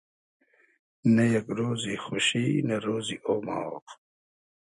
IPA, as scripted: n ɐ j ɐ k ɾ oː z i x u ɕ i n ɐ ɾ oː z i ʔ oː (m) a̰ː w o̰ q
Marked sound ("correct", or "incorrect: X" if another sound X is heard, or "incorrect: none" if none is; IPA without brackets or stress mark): correct